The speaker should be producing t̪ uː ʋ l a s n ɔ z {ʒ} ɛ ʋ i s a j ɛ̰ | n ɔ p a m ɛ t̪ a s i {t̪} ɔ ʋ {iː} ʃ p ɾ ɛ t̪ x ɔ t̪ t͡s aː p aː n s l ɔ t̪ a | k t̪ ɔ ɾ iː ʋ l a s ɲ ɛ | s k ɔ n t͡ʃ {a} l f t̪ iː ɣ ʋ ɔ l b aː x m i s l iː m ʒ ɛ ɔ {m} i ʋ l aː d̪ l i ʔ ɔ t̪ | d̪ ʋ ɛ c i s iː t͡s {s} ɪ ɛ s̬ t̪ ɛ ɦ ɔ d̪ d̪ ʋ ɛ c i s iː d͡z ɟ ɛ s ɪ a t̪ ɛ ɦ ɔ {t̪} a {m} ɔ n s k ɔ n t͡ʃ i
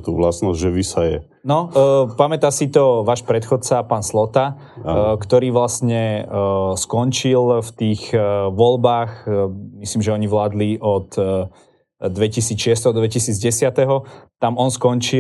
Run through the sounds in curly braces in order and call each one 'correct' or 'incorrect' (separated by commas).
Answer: correct, correct, incorrect, incorrect, incorrect, incorrect, correct, correct